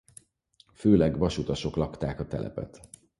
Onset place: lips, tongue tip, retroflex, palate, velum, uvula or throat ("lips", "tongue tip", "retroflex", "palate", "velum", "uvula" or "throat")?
lips